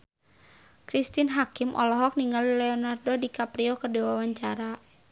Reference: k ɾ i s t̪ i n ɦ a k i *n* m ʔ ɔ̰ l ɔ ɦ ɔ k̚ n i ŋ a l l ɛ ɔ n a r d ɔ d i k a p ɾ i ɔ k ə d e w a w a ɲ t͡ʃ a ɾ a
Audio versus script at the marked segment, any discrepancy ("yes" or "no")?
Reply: yes